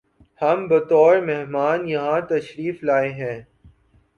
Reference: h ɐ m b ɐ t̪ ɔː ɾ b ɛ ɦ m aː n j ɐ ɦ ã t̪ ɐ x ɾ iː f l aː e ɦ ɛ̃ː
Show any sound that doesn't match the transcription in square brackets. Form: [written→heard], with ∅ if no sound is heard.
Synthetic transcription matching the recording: h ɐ m b ɐ t̪ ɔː ɾ [b→m] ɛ ɦ m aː n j ɐ ɦ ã t̪ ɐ [x→ʃ] ɾ iː f l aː e ɦ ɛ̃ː

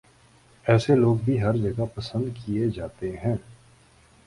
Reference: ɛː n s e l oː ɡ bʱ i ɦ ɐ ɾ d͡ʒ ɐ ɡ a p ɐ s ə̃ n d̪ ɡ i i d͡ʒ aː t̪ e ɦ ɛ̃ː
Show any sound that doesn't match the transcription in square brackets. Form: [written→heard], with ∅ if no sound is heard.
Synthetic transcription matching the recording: ɛː [n→∅] s e l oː ɡ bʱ i ɦ ɐ ɾ d͡ʒ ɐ ɡ a p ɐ s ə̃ n d̪ [ɡ→k] i [i→e] d͡ʒ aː t̪ e ɦ ɛ̃ː

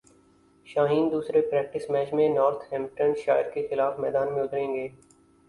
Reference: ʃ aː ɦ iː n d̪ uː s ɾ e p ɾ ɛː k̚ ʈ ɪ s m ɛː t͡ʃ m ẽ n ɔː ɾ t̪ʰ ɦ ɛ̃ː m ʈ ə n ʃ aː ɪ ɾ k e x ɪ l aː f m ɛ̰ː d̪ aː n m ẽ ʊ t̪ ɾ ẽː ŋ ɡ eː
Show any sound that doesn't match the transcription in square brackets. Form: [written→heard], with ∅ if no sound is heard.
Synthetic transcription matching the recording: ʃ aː ɦ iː n d̪ uː s ɾ e p ɾ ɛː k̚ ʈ ɪ s m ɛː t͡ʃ m ẽ n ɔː ɾ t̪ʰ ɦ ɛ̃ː m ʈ ə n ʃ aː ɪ ɾ k e x ɪ l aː f m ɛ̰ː d̪ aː n m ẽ ʊ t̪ ɾ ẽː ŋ ɡ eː

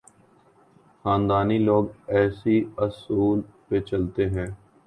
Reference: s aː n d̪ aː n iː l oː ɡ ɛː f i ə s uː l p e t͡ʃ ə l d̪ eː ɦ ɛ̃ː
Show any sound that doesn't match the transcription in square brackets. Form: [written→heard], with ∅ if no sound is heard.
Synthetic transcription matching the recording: [s→x] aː n d̪ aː n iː l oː ɡ ɛː [f→s] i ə s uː l p e t͡ʃ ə l [d̪→t̪] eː ɦ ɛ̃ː

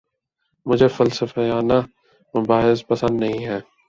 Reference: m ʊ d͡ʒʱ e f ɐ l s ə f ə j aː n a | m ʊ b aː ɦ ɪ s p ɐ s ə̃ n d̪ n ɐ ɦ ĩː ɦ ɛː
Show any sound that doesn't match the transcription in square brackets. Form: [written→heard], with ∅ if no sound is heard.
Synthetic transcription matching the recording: m ʊ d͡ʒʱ e f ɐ l s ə f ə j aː n a | m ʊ b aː ɦ ɪ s p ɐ s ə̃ n d̪ n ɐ ɦ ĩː ɦ ɛː

